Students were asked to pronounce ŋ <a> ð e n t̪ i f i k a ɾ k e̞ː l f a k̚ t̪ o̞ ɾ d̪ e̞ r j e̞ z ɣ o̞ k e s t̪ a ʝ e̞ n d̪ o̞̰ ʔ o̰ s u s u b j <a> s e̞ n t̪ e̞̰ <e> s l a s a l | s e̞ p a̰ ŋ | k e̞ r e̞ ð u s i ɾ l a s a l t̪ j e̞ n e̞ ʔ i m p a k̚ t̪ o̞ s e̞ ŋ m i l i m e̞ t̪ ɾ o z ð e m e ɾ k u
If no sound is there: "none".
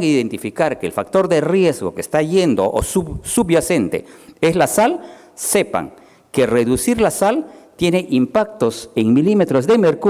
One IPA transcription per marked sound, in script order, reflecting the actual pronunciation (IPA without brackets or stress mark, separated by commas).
i, a, e